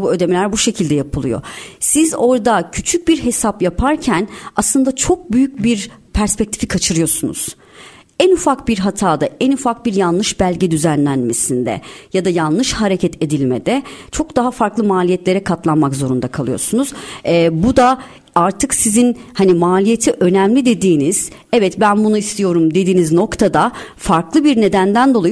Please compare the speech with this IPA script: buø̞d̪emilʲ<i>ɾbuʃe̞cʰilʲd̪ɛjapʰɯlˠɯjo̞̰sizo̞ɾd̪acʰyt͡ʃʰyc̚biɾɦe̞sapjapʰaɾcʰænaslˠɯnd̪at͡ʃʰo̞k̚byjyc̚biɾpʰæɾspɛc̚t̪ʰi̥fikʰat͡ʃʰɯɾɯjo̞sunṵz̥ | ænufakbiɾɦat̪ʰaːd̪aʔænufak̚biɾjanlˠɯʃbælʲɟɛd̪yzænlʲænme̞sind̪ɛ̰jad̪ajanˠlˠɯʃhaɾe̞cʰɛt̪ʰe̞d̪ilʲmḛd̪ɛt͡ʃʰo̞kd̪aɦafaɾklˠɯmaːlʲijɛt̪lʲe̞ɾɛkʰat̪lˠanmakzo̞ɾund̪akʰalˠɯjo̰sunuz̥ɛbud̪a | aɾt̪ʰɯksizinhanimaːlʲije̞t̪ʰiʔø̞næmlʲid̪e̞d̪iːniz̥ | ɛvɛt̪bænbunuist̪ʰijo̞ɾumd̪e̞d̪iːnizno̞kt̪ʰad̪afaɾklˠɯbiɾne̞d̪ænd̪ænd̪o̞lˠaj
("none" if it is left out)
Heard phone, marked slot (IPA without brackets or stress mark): æ